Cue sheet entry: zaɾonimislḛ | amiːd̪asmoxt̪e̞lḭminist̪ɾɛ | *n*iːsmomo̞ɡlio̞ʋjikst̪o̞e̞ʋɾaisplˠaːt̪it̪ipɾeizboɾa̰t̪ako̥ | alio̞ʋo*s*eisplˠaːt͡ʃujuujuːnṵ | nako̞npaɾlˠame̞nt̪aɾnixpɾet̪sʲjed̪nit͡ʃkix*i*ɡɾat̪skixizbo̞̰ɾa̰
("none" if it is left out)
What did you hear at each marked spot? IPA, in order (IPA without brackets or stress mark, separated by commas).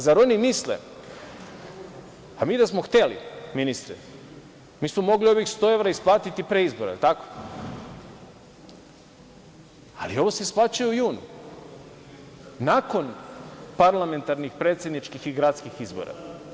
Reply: m, s, i